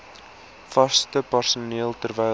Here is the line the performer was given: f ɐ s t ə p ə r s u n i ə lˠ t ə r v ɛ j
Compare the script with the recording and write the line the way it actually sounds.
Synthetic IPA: f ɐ s t ə p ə r s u n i ə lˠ t ə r v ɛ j